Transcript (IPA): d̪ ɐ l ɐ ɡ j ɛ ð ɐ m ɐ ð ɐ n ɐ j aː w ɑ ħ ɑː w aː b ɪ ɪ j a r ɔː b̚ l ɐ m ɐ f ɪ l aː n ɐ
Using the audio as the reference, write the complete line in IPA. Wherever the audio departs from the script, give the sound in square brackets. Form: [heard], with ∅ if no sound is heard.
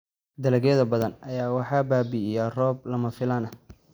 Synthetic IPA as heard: d̪ ɐ l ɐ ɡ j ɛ ð ɐ [b] ɐ ð ɐ n ɐ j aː w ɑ ħ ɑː [b] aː b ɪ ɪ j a r ɔː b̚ l ɐ m ɐ f ɪ l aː n ɐ